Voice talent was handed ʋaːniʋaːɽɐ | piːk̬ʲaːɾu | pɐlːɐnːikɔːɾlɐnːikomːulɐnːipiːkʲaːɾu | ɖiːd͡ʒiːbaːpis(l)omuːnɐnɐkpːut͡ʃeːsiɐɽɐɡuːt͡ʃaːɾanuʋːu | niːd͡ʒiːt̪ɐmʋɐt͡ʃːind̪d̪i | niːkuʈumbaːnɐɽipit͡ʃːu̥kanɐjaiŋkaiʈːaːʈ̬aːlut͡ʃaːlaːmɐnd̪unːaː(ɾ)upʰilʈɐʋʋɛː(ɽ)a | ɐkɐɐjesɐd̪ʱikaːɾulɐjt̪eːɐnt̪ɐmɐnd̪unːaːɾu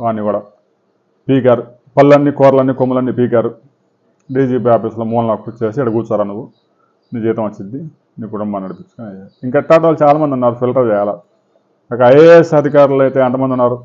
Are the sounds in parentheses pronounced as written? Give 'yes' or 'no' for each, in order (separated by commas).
yes, yes, no